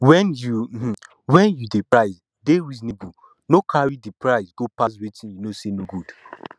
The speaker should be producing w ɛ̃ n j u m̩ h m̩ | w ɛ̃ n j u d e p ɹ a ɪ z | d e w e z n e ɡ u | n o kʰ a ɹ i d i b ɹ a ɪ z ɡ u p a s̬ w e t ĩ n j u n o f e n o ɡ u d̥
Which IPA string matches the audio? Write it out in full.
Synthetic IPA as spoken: w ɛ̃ n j u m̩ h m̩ | w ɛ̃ n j u d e p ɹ a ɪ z | d e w i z n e b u | n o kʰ a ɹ i d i p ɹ a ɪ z ɡ o p a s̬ w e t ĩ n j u n o s e n o ɡ u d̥